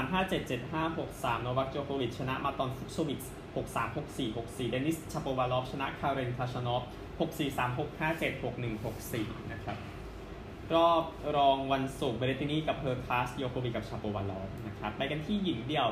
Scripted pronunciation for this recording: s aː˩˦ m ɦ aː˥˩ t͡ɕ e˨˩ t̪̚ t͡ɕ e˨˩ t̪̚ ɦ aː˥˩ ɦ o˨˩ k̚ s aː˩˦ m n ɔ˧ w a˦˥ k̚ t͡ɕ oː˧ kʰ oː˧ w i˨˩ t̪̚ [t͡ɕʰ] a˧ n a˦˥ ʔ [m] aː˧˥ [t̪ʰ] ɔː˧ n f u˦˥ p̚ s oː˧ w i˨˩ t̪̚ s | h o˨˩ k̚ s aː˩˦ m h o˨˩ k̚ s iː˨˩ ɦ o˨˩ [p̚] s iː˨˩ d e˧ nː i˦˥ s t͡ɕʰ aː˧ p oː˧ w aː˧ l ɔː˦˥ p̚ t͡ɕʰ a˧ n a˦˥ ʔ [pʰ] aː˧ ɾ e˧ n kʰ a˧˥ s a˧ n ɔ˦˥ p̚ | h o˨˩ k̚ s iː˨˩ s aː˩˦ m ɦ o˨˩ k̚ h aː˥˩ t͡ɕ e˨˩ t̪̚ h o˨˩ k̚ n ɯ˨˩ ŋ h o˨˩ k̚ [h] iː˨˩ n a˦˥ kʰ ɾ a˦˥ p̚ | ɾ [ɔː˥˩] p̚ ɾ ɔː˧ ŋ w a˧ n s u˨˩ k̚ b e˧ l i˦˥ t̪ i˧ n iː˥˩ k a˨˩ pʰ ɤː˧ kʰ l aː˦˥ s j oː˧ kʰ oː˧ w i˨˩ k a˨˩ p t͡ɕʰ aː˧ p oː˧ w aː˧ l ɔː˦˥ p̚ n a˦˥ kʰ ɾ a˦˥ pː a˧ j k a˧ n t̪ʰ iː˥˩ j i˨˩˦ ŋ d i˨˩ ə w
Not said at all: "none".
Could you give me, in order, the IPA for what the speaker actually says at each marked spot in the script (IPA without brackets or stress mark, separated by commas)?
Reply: t͡ɕʰ, m, t̪, k̚, kʰ, s, ɔː˥˩